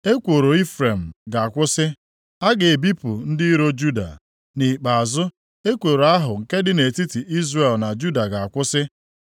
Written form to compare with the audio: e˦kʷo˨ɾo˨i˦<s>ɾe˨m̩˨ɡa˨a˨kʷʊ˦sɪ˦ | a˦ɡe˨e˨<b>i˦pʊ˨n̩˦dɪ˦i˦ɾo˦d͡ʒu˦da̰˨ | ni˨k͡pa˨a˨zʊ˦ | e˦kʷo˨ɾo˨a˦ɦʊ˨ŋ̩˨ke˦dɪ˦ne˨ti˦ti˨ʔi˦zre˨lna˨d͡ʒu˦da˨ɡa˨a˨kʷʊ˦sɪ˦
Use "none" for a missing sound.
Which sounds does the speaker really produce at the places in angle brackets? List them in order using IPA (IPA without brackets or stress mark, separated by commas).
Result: f, b